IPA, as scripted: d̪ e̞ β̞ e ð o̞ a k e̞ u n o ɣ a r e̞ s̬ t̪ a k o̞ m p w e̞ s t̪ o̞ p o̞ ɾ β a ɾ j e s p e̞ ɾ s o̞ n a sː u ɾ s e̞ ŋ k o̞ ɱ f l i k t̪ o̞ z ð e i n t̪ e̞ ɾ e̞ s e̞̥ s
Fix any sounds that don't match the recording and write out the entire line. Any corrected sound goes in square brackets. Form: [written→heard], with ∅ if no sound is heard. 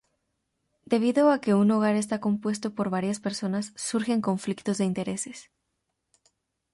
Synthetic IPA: d̪ e̞ β̞ [e→i] ð o̞ a k e̞ u n o ɣ a [r→ɾ] e̞ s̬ t̪ a k o̞ m p w e̞ s t̪ o̞ p o̞ ɾ β a ɾ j [e→a] s p e̞ ɾ s o̞ n a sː u ɾ [s→x] e̞ ŋ k o̞ ɱ f l i k t̪ o̞ z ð e i n t̪ e̞ ɾ e̞ s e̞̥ s